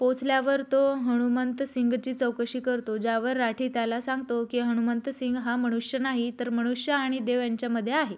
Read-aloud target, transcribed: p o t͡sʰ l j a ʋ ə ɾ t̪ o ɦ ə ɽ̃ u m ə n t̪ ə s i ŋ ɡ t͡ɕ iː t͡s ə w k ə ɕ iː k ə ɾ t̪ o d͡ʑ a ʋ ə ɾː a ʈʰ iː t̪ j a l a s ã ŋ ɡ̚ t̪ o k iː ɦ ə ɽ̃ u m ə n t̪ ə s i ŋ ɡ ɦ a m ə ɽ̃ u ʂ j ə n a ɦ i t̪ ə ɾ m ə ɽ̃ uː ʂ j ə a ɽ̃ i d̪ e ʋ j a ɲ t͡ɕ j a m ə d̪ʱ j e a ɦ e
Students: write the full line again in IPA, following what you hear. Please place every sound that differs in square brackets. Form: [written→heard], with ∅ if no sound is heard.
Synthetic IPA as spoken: p o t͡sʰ l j a ʋ ə ɾ t̪ o ɦ ə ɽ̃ u m ə n t̪ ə s i ŋ ɡ t͡ɕ iː t͡s ə w k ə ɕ iː k ə ɾ t̪ o d͡ʑ a ʋ ə ɾː a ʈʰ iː t̪ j a l a s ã ŋ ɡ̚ t̪ o k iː ɦ ə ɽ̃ u m ə n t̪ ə s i ŋ ɡ ɦ a m ə ɽ̃ u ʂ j ə n a ɦ i t̪ ə ɾ m ə ɽ̃ [uː→u] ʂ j ə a ɽ̃ i d̪ e ʋ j a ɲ t͡ɕ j a m ə d̪ʱ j e a ɦ e